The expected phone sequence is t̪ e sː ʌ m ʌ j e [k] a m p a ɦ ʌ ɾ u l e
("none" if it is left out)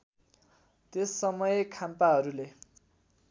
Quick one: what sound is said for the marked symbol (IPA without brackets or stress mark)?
kʰ